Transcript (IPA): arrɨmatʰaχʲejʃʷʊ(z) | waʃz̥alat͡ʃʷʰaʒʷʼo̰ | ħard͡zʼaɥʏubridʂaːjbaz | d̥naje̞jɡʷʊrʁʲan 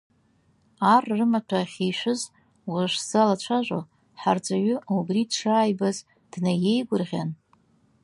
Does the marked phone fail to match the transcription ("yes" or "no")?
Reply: no